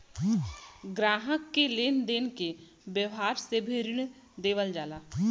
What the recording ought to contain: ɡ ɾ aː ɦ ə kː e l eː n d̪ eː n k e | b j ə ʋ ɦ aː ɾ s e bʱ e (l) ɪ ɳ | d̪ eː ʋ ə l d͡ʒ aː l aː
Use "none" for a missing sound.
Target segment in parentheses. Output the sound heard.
ɾ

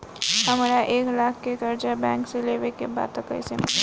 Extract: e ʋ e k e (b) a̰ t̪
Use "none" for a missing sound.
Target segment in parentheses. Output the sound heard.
b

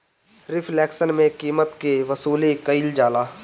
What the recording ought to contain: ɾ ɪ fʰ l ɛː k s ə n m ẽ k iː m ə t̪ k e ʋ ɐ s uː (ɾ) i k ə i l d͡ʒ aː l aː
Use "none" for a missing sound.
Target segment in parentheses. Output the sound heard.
l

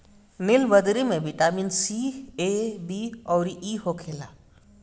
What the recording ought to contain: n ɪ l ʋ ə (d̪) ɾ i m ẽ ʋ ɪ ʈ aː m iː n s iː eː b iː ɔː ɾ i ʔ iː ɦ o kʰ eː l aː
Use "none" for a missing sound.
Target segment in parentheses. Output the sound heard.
d̪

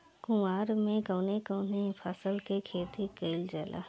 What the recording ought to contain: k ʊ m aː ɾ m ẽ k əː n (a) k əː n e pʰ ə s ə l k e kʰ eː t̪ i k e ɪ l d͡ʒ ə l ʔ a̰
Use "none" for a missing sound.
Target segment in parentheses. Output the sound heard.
e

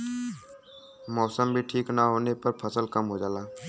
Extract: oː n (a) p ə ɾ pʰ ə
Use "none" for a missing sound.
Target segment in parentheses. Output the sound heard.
e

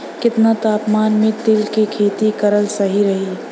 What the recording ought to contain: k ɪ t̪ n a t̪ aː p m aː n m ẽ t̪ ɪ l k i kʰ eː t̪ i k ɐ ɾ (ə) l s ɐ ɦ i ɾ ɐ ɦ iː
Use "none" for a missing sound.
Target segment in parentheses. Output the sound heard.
ə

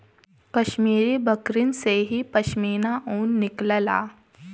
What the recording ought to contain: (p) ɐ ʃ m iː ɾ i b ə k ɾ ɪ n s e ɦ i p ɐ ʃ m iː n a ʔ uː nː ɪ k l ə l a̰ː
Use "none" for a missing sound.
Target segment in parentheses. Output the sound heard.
k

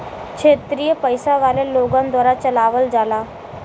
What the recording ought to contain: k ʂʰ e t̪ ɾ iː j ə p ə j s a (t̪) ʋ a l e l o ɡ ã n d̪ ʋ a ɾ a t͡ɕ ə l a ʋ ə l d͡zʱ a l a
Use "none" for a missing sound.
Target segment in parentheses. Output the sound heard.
none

